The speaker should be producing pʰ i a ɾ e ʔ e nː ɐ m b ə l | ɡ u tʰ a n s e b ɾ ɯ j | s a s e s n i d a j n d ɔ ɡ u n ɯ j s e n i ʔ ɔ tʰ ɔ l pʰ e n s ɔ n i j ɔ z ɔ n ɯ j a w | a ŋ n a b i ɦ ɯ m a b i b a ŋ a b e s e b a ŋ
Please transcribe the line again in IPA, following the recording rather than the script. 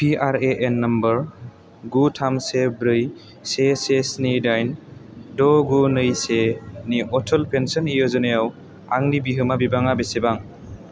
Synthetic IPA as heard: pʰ i a ɾ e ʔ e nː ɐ m b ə ɾ | ɡ u tʰ a m s e b ɾ ɯ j | s e s e s n i d a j n d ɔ ɡ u n ɯ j s e n i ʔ ɔ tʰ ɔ l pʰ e n s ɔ n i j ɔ z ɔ n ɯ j a w | a ŋ n i b i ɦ ɯ m a b i b a ŋ a b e s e b a ŋ